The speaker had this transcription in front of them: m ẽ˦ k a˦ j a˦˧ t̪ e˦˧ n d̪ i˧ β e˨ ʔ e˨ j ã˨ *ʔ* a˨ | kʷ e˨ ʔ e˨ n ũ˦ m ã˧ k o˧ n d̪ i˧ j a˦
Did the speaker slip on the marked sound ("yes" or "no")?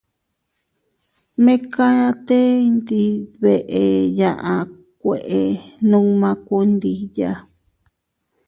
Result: no